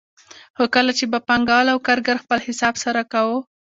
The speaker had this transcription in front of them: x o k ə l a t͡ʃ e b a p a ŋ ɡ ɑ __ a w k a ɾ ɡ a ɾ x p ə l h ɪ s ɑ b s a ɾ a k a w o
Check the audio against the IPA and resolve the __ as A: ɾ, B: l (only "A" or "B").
B